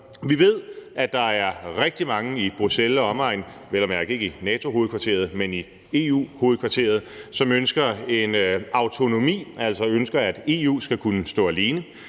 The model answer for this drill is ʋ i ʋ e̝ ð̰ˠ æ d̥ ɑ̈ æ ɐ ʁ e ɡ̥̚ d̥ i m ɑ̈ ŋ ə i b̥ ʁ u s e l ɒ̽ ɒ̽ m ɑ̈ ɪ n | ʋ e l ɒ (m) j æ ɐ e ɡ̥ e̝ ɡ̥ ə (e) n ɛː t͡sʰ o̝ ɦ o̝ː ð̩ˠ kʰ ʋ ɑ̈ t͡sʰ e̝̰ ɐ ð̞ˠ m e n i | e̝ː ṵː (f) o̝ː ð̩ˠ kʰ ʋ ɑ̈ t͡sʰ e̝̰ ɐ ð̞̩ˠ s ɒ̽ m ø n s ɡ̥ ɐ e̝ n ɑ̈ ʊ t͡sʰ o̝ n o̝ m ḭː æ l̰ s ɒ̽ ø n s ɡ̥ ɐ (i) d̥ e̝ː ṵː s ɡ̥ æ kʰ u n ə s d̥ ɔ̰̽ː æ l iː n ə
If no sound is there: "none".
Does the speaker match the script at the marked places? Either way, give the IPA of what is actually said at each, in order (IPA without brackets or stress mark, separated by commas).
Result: m, i, h, æ